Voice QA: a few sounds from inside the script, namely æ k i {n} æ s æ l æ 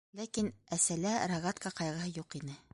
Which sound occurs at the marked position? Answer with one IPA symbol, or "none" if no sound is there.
n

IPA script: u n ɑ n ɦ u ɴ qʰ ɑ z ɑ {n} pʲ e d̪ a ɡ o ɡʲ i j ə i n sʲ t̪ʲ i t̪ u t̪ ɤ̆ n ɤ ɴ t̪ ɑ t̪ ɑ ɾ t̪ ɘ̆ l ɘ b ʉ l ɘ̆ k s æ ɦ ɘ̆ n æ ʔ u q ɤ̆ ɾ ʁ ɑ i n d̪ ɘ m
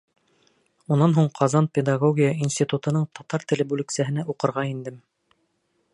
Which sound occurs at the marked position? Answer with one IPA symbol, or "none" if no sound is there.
n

